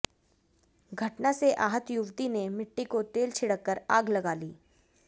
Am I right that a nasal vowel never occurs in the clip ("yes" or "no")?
yes